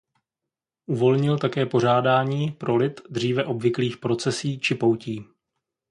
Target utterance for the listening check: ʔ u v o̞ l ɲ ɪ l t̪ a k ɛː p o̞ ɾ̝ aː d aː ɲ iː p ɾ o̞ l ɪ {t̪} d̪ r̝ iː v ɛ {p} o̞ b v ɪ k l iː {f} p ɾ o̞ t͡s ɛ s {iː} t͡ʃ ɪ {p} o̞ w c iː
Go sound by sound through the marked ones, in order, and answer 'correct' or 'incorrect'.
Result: correct, incorrect: ʔ, incorrect: x, correct, correct

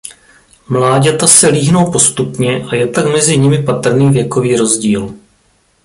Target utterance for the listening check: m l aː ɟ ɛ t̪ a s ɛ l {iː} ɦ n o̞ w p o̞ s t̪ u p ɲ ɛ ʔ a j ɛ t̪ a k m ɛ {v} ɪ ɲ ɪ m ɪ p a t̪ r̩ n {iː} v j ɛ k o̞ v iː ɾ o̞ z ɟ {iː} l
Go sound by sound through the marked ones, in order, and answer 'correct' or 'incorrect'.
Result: correct, incorrect: z, correct, correct

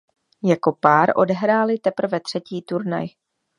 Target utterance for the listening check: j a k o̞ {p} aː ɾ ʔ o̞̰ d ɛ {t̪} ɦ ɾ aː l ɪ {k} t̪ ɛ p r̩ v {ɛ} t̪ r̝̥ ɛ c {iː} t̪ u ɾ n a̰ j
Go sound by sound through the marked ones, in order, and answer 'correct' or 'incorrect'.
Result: correct, incorrect: none, incorrect: none, correct, correct

